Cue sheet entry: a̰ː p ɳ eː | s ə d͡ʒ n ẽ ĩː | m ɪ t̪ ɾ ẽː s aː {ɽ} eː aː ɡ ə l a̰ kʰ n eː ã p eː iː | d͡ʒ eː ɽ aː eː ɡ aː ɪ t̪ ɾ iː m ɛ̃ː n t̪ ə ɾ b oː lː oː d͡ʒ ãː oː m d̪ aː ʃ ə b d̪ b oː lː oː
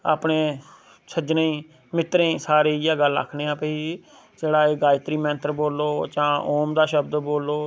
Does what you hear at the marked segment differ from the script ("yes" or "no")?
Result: yes